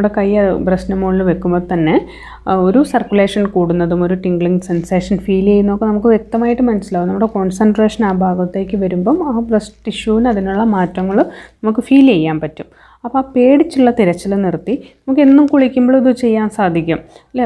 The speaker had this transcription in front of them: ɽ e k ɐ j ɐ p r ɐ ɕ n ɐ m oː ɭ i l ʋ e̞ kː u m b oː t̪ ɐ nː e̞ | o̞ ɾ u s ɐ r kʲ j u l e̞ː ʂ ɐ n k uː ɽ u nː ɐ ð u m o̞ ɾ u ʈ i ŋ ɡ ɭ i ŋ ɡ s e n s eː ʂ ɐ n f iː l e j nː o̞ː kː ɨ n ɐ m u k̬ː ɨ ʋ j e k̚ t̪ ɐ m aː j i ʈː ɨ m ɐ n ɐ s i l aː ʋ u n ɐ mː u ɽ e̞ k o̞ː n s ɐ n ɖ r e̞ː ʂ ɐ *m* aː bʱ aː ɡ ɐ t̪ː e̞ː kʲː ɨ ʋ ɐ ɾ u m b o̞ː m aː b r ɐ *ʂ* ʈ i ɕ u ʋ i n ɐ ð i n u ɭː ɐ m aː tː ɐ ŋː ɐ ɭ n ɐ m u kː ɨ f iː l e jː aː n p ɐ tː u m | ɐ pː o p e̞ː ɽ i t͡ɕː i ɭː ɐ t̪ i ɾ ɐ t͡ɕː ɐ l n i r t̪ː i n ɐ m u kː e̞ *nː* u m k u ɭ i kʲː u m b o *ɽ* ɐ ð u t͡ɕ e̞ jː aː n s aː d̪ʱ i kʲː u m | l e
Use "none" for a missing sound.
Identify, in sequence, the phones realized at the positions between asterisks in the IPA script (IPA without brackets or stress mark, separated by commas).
n, s, nː, ɭ